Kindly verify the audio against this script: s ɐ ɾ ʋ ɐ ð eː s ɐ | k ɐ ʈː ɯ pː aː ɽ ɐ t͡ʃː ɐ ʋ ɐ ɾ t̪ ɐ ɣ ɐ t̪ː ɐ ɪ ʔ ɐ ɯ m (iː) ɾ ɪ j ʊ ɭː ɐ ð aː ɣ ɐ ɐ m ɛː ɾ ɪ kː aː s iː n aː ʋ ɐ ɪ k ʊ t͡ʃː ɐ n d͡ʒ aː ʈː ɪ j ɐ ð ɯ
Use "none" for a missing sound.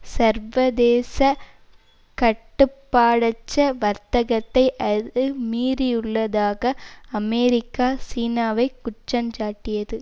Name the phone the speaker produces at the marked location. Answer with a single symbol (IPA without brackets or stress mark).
iː